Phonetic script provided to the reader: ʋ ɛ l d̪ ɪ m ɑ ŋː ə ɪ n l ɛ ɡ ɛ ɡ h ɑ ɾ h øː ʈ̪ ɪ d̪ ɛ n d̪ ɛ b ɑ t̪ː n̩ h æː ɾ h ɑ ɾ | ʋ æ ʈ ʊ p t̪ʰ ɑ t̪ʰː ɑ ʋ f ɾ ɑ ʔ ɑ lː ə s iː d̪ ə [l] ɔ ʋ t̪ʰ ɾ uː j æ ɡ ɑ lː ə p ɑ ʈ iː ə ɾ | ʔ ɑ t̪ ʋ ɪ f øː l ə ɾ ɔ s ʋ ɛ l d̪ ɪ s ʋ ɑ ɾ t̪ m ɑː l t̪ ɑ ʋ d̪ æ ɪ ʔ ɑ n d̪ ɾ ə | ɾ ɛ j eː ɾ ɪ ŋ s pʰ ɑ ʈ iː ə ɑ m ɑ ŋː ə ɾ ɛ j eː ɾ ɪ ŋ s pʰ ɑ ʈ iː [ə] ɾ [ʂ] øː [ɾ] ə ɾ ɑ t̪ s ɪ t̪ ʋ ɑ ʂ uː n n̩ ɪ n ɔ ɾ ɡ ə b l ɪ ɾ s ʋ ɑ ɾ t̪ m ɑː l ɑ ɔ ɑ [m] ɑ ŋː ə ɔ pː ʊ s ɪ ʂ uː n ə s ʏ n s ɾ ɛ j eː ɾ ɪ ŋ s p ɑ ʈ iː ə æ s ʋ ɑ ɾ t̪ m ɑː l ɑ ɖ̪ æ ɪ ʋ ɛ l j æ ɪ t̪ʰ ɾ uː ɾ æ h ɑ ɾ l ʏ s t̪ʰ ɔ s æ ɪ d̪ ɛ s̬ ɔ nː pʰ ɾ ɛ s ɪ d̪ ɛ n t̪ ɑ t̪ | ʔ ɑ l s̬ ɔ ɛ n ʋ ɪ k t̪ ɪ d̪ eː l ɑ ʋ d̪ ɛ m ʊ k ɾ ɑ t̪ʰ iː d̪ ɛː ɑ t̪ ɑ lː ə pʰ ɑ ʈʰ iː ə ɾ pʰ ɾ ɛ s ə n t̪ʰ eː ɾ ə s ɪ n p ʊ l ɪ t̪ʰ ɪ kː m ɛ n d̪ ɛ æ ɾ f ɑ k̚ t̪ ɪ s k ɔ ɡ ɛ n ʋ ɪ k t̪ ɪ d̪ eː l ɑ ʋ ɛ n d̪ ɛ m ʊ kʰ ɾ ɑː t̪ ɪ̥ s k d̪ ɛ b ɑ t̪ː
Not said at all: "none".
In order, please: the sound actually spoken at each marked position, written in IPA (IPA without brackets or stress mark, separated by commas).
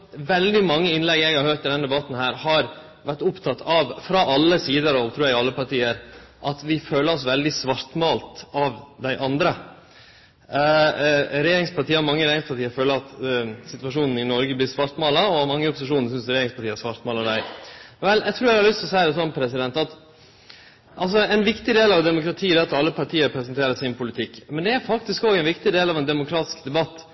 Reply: ɾ, ə, f, l, m